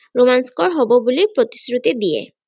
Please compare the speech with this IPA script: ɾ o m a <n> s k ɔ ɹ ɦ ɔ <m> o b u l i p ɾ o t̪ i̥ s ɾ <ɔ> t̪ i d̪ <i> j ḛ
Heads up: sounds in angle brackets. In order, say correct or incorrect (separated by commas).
correct, incorrect, incorrect, correct